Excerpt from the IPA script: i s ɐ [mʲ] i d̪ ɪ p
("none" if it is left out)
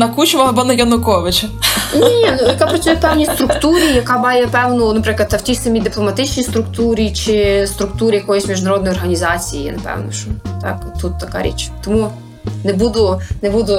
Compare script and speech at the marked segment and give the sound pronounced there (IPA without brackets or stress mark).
mʲ